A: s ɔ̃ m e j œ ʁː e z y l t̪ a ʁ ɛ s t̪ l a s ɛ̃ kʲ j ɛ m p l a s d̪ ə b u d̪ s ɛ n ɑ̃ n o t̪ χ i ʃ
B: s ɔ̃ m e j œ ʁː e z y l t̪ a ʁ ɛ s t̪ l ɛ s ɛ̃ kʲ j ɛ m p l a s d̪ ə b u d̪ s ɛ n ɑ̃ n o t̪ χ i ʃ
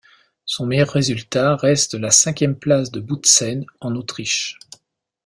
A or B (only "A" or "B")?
A